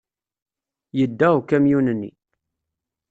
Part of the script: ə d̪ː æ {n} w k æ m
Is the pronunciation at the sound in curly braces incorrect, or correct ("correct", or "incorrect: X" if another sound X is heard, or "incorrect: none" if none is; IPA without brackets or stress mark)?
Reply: incorrect: none